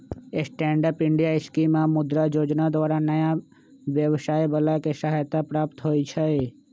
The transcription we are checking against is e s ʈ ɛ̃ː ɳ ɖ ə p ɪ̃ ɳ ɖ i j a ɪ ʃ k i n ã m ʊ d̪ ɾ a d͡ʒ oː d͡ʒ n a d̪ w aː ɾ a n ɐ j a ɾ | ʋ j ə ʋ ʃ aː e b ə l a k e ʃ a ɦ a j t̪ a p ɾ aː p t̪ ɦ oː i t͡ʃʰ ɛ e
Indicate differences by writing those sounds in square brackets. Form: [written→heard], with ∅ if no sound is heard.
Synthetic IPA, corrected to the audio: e s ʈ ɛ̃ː ɳ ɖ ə p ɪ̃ ɳ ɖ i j a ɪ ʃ k i [n→m] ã m ʊ d̪ ɾ a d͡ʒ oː d͡ʒ n a d̪ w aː ɾ a n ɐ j a [ɾ→∅] | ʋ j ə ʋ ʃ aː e b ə l a k e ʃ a ɦ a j t̪ a p ɾ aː p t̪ ɦ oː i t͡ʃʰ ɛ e